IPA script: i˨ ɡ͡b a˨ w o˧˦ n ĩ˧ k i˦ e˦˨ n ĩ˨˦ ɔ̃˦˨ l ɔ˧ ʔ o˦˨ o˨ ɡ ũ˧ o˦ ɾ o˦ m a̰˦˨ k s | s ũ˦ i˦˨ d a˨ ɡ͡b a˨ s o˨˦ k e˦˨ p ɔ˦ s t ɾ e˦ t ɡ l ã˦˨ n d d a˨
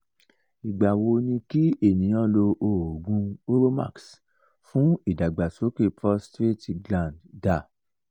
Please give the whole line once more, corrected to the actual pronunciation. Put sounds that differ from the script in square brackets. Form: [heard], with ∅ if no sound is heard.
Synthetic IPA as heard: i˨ ɡ͡b a˨ w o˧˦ n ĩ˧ k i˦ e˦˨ n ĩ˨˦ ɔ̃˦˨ l [o˧] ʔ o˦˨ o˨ ɡ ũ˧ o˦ ɾ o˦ m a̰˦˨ k s | [f] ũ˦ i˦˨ d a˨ ɡ͡b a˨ s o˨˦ k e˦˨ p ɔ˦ s t ɾ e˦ t ɡ l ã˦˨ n d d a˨